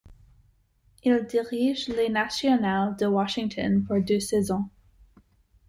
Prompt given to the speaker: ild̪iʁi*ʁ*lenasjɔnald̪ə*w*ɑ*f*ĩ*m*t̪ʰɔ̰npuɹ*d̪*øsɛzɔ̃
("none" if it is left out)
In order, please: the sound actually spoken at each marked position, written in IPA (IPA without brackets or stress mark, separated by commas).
ʒ, w, ʃ, ŋ, d̪